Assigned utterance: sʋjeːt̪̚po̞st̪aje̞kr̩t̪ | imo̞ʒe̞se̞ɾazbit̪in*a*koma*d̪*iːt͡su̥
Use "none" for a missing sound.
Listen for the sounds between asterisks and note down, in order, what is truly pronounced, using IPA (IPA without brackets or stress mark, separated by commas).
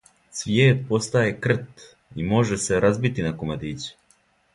a, d̪